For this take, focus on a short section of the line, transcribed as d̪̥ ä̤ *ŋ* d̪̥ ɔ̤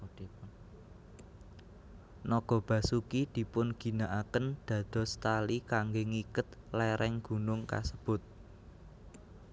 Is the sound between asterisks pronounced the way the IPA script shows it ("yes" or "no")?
no